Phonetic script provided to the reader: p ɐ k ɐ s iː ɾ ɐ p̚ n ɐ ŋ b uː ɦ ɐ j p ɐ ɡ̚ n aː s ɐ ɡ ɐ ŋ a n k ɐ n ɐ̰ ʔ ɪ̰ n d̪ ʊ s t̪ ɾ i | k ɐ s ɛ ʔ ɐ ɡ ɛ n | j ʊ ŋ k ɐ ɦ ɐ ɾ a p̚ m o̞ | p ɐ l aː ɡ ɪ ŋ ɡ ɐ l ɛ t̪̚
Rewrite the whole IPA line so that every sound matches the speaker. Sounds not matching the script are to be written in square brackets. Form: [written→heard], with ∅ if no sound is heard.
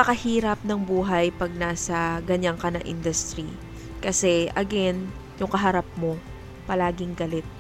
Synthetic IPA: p ɐ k ɐ [s→h] iː ɾ ɐ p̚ n ɐ ŋ b uː ɦ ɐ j p ɐ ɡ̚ n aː s ɐ ɡ ɐ [ŋ→ɲ] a [n→ŋ] k ɐ n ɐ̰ ʔ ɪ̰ n d̪ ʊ s t̪ ɾ i | k ɐ s ɛ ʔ ɐ ɡ ɛ n | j ʊ ŋ k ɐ ɦ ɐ ɾ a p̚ m o̞ | p ɐ l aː ɡ ɪ ŋ ɡ ɐ l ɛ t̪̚